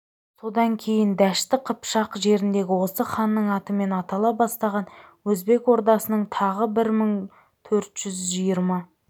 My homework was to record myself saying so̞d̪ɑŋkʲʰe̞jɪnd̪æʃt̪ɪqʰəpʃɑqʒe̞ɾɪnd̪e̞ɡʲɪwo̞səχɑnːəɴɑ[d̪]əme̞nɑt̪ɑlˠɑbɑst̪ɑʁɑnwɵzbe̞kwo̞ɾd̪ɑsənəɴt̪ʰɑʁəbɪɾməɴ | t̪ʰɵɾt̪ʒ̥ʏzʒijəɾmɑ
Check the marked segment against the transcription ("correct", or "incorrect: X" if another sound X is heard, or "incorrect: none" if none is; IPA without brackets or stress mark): incorrect: t̪